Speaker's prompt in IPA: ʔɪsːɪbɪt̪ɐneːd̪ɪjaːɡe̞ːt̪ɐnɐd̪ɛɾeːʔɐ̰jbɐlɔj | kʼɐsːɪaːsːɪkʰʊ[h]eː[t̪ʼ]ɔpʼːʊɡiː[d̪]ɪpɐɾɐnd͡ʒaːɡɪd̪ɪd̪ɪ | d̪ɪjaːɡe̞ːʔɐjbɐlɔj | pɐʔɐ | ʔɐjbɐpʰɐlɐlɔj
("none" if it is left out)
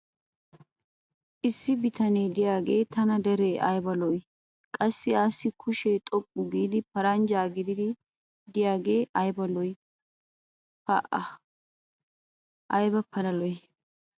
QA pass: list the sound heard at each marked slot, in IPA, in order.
ʃ, t̪ʼ, d̪

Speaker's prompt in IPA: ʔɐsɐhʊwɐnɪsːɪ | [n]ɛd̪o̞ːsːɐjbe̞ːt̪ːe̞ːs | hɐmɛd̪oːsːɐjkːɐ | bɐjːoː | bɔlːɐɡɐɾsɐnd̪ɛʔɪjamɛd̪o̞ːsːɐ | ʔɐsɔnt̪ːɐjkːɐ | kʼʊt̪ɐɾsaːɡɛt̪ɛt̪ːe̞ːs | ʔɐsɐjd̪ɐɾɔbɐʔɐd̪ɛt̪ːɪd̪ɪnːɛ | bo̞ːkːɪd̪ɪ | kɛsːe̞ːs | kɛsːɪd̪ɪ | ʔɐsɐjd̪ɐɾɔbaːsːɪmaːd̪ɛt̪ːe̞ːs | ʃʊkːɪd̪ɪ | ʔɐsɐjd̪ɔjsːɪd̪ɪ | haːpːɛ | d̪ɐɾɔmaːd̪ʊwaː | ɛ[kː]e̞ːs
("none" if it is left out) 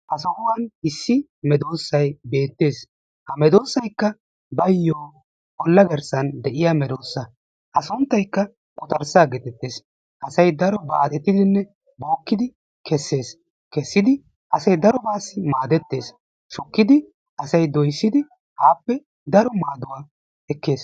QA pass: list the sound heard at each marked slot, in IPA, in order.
m, kː

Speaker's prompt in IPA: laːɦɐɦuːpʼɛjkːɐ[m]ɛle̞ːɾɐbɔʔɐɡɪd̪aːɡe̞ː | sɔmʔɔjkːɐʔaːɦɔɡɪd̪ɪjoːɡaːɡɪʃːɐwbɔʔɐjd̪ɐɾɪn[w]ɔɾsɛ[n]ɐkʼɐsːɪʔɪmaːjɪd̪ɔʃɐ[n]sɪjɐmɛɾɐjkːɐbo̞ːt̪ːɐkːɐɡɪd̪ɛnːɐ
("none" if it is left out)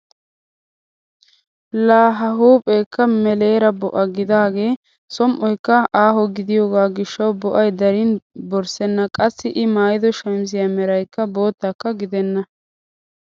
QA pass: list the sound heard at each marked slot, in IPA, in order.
m, b, nː, m

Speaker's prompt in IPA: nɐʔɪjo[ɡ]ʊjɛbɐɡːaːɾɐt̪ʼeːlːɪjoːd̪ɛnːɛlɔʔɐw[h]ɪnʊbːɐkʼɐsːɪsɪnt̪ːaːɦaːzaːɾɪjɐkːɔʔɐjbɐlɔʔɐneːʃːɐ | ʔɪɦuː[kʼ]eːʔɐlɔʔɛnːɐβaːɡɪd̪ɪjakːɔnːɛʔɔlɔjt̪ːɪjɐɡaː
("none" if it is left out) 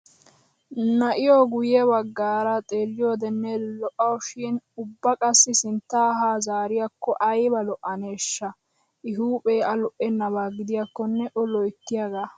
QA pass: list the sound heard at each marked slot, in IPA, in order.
ɡ, ʃ, pʼ

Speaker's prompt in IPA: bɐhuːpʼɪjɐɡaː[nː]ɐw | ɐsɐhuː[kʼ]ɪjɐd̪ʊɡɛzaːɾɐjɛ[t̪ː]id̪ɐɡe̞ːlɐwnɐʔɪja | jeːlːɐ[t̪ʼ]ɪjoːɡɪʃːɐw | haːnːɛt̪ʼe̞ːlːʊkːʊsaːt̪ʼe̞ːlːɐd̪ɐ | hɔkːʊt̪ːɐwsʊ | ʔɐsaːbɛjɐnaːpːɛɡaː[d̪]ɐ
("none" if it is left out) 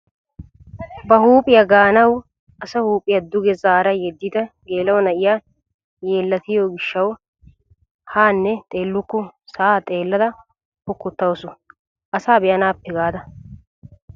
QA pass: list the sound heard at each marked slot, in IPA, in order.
n, pʼ, d̪ː, t̪, d̪

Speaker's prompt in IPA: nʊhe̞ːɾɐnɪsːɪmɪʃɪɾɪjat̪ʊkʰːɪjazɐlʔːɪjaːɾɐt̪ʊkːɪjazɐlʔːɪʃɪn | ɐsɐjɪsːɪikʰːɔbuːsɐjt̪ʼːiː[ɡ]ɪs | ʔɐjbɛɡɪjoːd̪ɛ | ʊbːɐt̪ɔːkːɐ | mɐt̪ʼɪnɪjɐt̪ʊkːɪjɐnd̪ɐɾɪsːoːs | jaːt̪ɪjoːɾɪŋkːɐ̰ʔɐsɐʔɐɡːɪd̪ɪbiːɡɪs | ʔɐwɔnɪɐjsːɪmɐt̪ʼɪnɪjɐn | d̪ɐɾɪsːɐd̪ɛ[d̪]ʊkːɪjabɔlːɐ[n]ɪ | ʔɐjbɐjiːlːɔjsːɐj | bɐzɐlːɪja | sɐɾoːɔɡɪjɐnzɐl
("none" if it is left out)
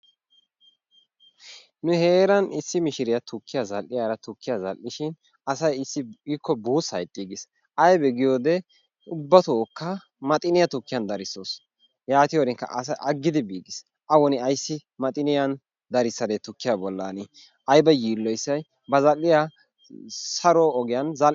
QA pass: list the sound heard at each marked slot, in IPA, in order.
ɡ, t̪, n

